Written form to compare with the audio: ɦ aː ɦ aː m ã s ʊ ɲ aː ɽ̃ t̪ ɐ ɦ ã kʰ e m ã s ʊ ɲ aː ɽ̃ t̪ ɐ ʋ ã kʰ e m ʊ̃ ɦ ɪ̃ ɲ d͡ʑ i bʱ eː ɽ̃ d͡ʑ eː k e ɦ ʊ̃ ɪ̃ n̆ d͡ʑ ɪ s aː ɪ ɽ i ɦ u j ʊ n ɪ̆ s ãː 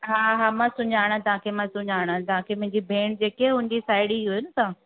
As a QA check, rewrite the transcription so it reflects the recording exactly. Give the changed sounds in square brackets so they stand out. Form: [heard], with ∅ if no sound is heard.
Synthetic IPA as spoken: ɦ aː ɦ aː m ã s ʊ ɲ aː ɽ̃ t̪ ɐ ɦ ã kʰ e m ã s ʊ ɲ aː ɽ̃ t̪ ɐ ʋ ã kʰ e m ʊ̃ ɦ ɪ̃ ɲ d͡ʑ i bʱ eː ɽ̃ d͡ʑ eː k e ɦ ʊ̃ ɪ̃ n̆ d͡ʑ [i] s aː ɪ ɽ i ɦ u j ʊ n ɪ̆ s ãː